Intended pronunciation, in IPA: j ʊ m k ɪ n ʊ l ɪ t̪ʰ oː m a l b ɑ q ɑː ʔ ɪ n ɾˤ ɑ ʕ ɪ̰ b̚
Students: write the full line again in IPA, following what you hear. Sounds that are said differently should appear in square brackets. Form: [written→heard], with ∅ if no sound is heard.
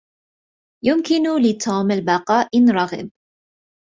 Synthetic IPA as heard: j ʊ m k ɪ n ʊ l ɪ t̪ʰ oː m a l b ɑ q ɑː ʔ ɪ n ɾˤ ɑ [ʕ→ɣ] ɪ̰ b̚